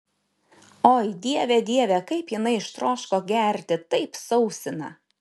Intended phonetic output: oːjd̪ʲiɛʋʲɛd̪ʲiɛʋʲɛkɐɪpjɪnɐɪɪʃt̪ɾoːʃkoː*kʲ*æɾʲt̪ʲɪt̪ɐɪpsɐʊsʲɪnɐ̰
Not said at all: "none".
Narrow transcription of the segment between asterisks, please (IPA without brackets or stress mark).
ɡʲ